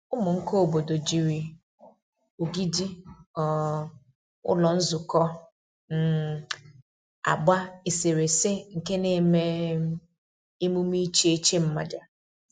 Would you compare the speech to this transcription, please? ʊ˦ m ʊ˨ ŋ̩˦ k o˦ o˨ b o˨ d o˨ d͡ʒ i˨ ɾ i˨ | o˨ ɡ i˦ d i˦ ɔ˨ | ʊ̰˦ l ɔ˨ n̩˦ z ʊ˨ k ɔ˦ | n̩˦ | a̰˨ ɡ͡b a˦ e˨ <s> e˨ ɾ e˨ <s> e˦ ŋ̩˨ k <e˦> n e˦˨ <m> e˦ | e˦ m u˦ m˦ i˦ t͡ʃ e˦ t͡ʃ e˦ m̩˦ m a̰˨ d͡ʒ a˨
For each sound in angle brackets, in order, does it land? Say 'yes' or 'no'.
yes, yes, yes, yes

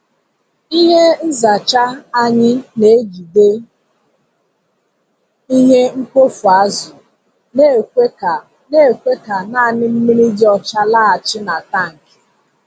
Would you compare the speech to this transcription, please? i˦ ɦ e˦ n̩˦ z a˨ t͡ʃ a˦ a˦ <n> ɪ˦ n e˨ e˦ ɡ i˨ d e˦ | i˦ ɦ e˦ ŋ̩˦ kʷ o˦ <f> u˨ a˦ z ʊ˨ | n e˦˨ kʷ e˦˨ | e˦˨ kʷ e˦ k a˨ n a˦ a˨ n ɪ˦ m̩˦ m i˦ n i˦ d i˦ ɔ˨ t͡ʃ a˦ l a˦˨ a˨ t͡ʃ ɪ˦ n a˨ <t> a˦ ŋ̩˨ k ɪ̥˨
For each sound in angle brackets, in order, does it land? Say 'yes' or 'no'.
no, yes, yes

